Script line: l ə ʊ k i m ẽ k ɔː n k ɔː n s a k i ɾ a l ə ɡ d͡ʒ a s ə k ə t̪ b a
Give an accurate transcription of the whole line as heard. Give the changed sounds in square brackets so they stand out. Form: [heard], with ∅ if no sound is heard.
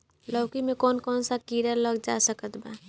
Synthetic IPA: l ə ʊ k i m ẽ k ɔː n k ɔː n s a k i ɾ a l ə ɡ d͡ʒ a s ə k ə t̪ b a